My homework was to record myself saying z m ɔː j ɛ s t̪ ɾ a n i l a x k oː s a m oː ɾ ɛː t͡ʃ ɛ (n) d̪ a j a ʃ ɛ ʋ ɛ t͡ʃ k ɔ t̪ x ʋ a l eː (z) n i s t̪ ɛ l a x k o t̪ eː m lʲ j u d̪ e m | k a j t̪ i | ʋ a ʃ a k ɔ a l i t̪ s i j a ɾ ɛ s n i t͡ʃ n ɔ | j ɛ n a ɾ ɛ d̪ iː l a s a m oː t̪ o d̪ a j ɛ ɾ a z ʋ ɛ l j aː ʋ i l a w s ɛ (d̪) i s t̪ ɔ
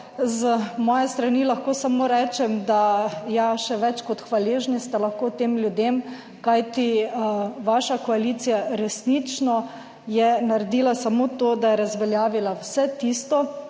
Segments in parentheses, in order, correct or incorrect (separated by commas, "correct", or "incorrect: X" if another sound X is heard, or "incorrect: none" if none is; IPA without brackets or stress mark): incorrect: m, incorrect: ʒ, incorrect: t̪